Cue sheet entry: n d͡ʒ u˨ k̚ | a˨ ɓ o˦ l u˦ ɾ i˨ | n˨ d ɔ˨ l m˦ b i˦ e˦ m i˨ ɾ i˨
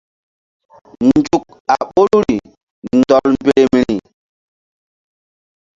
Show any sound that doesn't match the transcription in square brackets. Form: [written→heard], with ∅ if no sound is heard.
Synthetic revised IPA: n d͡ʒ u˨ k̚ | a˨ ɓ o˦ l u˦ ɾ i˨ | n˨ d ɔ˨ l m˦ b [i˦→e˦] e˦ m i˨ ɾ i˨